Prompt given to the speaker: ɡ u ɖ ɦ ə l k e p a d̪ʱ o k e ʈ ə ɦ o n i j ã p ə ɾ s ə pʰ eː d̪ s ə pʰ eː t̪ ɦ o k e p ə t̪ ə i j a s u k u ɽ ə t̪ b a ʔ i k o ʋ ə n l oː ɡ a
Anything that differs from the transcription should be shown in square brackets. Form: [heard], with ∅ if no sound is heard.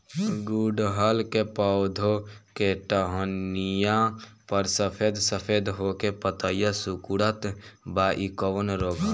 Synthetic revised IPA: ɡ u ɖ ɦ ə l k e p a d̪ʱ o k e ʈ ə ɦ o n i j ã p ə ɾ s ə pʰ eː d̪ s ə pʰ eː [d̪] ɦ o k e p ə t̪ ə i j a s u k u ɽ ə t̪ b a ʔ i k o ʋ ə n [ɾ] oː ɡ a